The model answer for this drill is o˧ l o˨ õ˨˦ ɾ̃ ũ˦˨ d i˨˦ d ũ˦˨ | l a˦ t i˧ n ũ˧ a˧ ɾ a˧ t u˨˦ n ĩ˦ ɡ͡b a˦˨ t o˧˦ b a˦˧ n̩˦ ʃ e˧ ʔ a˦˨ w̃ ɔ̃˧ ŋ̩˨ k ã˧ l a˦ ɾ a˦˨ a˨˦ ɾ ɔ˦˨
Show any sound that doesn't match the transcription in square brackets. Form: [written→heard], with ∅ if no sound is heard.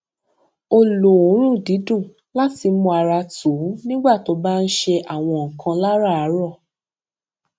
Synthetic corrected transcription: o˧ l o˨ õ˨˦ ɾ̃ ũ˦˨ d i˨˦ d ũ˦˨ | l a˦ t i˧ [n→m] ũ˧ a˧ ɾ a˧ t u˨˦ n ĩ˦ ɡ͡b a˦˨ t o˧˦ b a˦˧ n̩˦ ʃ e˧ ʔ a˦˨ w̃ ɔ̃˧ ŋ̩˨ k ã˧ l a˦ ɾ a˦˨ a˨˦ ɾ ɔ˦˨